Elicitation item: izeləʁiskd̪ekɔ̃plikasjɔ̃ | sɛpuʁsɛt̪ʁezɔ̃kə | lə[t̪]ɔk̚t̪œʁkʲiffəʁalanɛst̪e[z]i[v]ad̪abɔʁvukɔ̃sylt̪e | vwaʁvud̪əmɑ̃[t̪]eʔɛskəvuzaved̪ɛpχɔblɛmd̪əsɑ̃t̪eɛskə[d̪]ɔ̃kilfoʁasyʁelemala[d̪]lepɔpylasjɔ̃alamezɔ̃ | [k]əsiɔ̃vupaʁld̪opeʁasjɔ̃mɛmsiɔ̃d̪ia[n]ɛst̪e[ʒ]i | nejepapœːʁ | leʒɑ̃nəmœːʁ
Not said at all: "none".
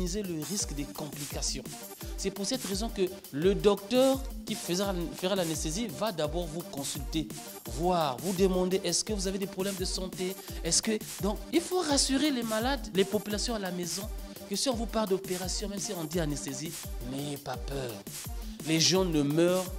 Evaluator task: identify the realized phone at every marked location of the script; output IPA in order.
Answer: d̪, z, v, d̪, d̪, d̪, k, n, z

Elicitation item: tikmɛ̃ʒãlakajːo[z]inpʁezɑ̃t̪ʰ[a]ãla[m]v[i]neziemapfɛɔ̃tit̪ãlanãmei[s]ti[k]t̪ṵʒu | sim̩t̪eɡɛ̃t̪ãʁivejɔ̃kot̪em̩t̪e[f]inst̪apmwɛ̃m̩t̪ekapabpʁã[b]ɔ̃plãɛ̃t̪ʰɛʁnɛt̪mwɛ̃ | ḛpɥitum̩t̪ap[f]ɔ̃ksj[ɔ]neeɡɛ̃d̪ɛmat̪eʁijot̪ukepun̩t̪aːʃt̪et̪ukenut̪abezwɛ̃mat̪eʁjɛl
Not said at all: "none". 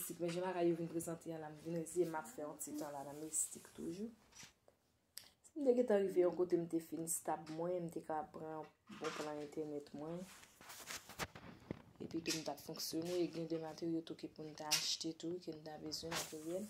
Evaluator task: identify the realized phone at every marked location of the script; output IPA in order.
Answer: v, e, m, i, s, k, f, b, f, o

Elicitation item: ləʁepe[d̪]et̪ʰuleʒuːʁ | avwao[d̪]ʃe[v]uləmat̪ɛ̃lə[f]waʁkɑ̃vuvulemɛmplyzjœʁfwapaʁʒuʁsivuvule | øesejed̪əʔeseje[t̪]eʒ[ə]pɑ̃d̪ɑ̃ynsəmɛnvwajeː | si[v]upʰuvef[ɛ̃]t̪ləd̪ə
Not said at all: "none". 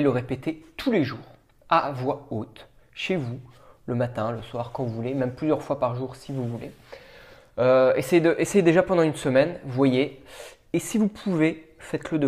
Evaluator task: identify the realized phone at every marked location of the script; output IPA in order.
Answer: t̪, t̪, v, s, d̪, a, v, ɛ

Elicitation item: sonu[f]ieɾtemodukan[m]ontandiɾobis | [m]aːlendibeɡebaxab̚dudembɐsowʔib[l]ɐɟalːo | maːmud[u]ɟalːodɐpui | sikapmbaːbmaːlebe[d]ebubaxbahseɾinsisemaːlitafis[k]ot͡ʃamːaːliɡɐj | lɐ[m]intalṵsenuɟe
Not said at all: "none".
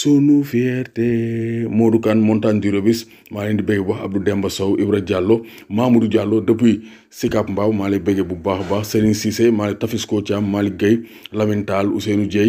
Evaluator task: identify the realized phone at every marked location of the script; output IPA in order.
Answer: f, m, m, ɾ, u, ɡ, k, m

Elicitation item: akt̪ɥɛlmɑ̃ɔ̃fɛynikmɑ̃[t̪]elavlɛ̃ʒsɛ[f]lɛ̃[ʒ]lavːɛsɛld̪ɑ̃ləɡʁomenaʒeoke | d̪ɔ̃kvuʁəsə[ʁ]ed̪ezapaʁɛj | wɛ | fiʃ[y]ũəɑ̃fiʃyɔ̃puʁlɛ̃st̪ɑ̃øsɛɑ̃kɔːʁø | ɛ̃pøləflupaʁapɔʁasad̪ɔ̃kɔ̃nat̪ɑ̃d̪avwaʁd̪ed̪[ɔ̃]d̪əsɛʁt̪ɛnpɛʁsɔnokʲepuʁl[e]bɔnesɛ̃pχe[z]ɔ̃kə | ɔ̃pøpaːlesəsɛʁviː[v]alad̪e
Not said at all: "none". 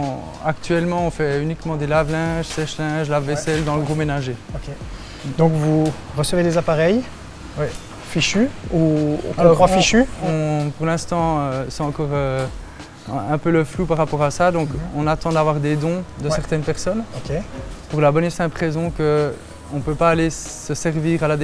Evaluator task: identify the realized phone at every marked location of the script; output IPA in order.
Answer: d̪, ʃ, ʒ, v, y, ɔ̃, a, z, ʁ

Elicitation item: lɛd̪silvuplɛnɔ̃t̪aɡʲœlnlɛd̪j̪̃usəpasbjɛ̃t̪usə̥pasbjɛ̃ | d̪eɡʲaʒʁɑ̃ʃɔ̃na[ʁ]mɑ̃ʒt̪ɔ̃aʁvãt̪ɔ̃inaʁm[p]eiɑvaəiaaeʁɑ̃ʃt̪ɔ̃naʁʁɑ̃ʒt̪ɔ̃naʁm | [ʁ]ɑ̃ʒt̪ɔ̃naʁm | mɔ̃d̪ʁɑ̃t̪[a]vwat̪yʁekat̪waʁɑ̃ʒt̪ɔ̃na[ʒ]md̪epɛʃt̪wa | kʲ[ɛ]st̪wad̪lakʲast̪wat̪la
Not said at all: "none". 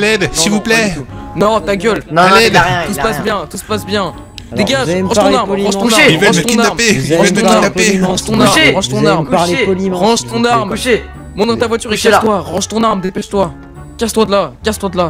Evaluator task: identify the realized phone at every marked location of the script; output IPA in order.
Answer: ʁ, p, ʁ, a, ʁ, a

